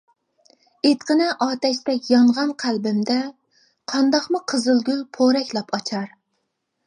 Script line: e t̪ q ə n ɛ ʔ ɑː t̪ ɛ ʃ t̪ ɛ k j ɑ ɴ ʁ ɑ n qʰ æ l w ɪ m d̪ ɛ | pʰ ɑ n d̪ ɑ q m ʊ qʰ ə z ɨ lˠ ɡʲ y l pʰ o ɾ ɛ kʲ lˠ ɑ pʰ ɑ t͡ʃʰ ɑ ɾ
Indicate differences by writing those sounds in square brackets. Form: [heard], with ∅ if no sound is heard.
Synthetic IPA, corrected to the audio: e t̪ q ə n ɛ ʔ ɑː t̪ ɛ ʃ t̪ ɛ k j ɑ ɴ ʁ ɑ n qʰ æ l [b] ɪ m d̪ ɛ | [qʰ] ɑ n d̪ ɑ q m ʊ qʰ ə z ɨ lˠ ɡʲ y l pʰ o ɾ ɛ kʲ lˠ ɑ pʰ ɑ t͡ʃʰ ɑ ɾ

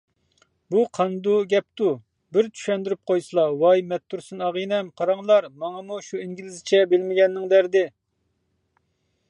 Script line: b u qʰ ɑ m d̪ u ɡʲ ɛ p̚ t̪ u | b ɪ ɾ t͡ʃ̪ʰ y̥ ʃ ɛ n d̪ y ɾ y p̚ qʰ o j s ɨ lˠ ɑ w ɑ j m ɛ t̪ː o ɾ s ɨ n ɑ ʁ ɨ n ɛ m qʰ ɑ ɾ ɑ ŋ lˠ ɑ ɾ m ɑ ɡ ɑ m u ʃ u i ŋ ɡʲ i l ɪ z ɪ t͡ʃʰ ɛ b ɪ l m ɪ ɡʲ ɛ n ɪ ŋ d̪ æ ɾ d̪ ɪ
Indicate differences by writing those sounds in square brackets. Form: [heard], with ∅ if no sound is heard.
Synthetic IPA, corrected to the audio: b u qʰ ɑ [n] d̪ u ɡʲ ɛ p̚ t̪ u | b ɪ ɾ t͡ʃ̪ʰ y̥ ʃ ɛ n d̪ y ɾ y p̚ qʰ o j s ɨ lˠ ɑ w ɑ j m ɛ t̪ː [u] ɾ s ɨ n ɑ ʁ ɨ n ɛ m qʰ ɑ ɾ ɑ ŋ lˠ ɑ ɾ m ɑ [ŋ] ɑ m u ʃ u i ŋ ɡʲ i l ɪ z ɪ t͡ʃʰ ɛ b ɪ l m ɪ ɡʲ ɛ [nː] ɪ ŋ d̪ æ ɾ d̪ ɪ

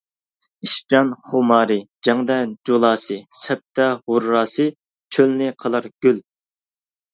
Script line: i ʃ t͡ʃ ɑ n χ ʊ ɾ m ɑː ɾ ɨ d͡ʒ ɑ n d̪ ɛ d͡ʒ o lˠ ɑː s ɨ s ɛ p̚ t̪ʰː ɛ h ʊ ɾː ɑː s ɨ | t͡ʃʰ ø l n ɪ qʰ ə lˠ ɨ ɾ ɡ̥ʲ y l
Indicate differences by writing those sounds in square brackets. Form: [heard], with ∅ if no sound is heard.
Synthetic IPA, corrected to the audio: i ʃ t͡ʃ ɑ n χ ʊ [∅] m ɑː ɾ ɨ d͡ʒ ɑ [ŋ] d̪ ɛ d͡ʒ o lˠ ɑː s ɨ s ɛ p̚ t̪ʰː ɛ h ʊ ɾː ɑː s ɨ | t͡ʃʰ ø l n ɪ qʰ ə lˠ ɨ ɾ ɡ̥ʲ y l

